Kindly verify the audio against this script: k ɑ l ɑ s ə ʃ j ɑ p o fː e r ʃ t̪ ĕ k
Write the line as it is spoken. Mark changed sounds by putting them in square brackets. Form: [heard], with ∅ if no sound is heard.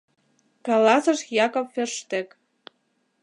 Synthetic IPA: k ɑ l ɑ s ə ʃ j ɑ [k] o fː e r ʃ t̪ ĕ k